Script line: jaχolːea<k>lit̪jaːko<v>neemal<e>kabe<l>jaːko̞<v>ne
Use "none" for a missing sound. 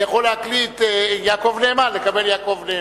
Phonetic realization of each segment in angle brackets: k, v, e, l, v

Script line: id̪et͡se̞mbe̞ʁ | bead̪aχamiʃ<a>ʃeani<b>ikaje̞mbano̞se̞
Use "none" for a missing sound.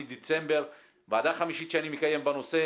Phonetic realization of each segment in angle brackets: i, m

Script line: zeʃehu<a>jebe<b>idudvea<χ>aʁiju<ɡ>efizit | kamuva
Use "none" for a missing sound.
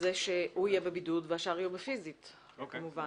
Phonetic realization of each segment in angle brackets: i, b, ʃ, b

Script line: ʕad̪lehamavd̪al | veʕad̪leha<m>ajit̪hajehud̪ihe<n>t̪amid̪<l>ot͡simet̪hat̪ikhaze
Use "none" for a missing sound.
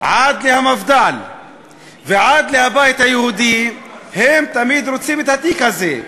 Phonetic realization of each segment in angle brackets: b, m, ɾ

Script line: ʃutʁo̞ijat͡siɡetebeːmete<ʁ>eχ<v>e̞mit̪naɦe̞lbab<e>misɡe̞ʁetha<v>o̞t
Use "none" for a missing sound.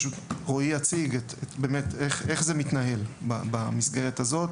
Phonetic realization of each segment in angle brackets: χ, z, a, z

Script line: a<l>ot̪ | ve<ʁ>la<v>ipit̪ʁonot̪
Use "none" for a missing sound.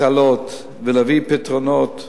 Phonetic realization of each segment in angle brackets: l, none, v

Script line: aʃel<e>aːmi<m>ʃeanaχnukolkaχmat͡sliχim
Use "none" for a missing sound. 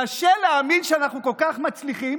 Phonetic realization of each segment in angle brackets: e, n

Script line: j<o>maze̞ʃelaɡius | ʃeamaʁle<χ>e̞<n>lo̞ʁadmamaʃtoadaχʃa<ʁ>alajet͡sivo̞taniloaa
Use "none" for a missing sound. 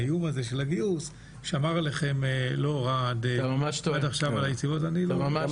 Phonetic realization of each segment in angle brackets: u, χ, m, v

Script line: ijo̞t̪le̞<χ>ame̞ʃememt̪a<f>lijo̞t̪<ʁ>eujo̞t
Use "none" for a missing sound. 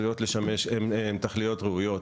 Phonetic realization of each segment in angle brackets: ʃ, χ, ʁ

